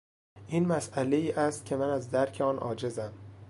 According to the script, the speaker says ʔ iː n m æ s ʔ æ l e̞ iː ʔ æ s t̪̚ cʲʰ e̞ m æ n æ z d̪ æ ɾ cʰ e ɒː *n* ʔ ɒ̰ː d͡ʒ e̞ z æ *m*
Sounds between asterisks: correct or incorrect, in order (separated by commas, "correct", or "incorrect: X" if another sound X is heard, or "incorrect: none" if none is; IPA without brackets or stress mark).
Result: correct, correct